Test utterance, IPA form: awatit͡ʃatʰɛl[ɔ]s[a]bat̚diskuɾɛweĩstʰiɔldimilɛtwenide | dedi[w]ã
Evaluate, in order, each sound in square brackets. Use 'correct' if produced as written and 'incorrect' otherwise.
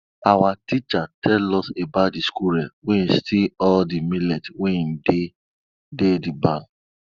correct, incorrect, incorrect

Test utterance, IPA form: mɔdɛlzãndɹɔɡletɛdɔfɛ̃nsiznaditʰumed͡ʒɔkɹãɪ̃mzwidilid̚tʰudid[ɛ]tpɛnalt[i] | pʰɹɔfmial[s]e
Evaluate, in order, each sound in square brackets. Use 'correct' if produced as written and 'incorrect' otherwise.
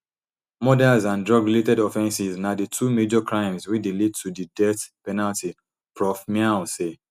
correct, correct, correct

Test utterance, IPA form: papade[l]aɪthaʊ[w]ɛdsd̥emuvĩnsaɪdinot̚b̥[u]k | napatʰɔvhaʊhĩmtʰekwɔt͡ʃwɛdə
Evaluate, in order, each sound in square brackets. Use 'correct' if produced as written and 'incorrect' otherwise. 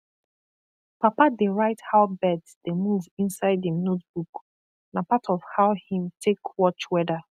incorrect, incorrect, correct

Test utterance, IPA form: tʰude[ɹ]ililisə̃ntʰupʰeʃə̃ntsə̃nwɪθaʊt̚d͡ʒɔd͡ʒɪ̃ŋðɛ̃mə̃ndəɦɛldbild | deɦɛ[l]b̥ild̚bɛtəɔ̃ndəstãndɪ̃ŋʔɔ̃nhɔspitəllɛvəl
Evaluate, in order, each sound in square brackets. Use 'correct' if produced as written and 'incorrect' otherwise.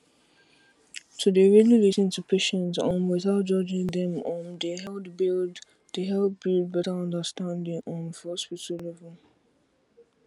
correct, correct

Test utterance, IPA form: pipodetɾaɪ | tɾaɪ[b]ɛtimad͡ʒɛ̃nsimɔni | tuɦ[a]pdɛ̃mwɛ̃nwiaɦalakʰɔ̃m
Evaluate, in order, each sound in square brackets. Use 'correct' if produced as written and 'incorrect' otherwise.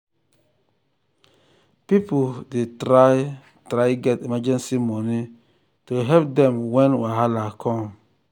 incorrect, incorrect

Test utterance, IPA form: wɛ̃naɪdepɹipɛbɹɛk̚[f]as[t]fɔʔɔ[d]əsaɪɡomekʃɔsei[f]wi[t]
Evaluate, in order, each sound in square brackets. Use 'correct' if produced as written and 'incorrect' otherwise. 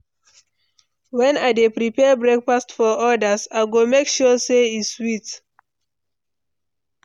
correct, correct, correct, incorrect, correct

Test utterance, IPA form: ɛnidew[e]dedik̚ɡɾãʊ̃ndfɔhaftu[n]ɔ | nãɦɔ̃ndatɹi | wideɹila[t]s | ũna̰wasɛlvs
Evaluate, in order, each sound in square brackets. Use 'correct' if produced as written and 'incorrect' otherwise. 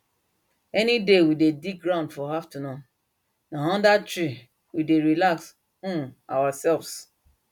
incorrect, correct, incorrect

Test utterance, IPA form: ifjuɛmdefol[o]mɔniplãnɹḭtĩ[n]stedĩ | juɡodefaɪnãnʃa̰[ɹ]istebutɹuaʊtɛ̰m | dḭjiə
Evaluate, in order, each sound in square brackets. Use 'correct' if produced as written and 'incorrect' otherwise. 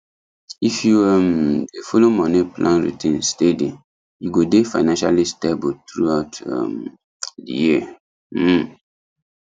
correct, correct, incorrect

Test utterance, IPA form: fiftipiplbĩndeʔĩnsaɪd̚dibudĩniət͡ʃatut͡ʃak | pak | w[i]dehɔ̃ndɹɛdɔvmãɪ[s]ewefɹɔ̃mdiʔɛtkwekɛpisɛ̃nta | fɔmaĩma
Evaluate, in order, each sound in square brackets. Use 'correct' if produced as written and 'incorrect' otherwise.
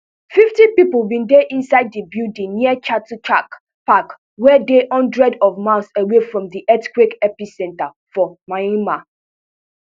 incorrect, correct

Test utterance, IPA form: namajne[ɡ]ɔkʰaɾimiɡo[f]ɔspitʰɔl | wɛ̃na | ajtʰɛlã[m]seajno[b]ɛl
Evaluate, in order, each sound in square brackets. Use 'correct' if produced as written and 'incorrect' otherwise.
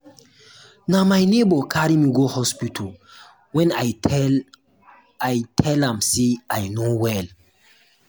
incorrect, incorrect, correct, incorrect

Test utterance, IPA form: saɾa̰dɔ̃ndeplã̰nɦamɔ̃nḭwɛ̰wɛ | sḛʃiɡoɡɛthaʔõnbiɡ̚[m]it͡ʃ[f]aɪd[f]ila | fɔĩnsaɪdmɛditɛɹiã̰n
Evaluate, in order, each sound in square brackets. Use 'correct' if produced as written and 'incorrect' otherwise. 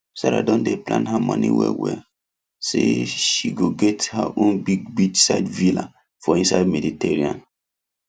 incorrect, incorrect, incorrect

